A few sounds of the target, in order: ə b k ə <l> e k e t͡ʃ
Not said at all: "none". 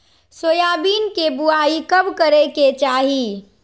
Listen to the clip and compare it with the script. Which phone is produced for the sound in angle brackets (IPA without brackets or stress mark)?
ɾ